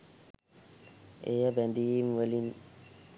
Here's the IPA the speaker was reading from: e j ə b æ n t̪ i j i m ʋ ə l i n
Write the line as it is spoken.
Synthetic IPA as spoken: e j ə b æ n d̪ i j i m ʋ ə l i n